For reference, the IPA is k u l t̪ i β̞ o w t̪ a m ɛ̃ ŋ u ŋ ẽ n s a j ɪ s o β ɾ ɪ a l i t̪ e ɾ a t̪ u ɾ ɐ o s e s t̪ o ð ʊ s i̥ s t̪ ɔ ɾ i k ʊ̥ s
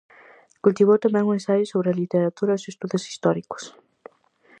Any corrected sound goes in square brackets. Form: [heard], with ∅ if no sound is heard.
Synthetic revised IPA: k u l t̪ i β̞ o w t̪ a m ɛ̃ ŋ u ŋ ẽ n s a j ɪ s o β ɾ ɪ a l i t̪ e ɾ a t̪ u ɾ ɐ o s e s t̪ [u] ð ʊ s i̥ s t̪ ɔ ɾ i k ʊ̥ s